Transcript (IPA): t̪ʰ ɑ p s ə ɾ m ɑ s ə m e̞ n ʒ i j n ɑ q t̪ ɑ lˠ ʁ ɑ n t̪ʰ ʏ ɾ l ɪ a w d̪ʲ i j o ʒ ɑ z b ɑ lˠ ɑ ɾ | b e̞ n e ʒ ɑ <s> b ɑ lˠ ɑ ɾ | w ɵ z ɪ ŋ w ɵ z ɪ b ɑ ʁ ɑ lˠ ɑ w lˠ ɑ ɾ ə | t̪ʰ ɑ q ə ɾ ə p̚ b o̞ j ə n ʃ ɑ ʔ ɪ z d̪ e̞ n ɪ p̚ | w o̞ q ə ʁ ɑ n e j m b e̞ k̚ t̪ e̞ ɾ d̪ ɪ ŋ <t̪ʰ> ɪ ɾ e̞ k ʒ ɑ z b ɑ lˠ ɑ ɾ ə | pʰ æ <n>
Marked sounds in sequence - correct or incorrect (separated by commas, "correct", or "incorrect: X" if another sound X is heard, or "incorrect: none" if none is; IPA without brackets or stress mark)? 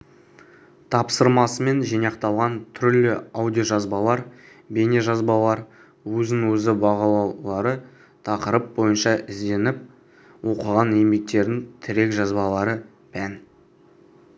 incorrect: z, correct, correct